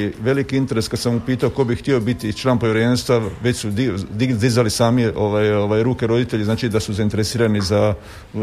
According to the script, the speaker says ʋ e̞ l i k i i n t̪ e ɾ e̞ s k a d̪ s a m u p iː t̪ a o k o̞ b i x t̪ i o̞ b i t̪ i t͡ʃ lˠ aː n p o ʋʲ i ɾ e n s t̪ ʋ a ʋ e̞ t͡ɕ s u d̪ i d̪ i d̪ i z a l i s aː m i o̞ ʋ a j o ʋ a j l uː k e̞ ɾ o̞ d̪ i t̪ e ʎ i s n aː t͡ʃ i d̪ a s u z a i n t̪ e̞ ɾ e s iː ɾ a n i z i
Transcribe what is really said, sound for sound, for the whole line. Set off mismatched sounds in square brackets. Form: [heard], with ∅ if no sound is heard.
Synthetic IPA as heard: ʋ e̞ l i k i i n t̪ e ɾ e̞ s k a d̪ s a m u p iː t̪ a o k o̞ b i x t̪ i o̞ b i t̪ i t͡ʃ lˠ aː n p o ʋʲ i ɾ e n s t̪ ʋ a ʋ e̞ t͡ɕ s u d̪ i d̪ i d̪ i z a l i s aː m i o̞ ʋ a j o ʋ a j [ɾ] uː k e̞ ɾ o̞ d̪ i t̪ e ʎ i [z] n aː t͡ʃ i d̪ a s u z a i n t̪ e̞ ɾ e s iː ɾ a n i z [a]